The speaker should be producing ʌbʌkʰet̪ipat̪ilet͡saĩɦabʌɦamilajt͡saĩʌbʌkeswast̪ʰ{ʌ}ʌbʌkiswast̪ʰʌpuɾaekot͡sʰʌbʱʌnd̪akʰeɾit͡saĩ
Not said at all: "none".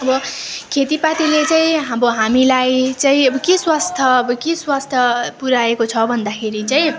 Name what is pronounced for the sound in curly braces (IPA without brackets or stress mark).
ʌ